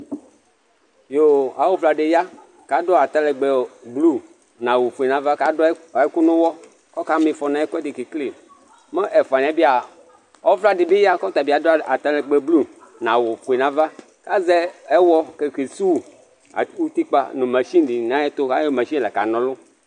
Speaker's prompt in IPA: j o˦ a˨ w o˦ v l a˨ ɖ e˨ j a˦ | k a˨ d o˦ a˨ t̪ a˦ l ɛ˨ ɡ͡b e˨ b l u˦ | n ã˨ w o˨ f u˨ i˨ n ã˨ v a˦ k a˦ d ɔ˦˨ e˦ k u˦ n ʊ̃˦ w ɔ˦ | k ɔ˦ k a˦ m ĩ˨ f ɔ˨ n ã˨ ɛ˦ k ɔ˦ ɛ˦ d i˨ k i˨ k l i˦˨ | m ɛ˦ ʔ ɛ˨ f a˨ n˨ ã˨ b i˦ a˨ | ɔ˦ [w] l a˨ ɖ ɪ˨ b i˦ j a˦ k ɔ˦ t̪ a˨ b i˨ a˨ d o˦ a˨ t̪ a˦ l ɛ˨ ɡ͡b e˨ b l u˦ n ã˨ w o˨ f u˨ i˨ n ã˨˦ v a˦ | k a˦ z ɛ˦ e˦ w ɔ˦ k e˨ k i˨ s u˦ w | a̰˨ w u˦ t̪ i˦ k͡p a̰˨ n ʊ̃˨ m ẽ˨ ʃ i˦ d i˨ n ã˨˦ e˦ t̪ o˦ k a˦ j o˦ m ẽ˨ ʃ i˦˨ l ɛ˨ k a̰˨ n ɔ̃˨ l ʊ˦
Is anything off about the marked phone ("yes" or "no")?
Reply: yes